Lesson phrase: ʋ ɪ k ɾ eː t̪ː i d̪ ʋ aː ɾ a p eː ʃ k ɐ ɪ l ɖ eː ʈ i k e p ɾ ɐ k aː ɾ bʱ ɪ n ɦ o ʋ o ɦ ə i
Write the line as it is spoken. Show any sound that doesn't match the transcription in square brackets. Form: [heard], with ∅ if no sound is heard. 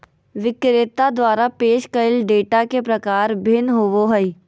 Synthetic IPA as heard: ʋ ɪ k ɾ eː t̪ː [a] d̪ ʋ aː ɾ a p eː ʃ k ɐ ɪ l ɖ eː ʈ [a] k e p ɾ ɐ k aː ɾ bʱ ɪ n ɦ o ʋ o ɦ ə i